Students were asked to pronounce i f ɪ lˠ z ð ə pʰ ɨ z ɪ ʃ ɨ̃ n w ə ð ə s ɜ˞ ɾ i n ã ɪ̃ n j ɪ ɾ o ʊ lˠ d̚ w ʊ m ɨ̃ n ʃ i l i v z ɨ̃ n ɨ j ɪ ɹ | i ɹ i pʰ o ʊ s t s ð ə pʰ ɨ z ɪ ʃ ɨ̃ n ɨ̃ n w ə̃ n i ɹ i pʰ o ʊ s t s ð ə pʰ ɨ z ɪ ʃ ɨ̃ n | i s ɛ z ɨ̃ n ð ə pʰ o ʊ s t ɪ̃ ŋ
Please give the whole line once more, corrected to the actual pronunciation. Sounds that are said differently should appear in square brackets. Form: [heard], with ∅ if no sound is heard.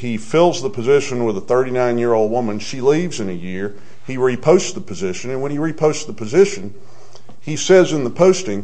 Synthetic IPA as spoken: i f ɪ lˠ z ð ə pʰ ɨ z ɪ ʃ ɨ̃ n w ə ð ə [θ] ɜ˞ ɾ i n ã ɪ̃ n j ɪ [ɹ] o ʊ lˠ d̚ w ʊ m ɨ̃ n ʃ i l i v z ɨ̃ n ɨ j ɪ ɹ | i ɹ i pʰ o ʊ s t s ð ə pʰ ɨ z ɪ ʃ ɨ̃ n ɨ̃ n w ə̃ n i ɹ i pʰ o ʊ s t s ð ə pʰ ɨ z ɪ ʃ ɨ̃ n | i s ɛ z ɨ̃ n ð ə pʰ o ʊ s t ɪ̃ ŋ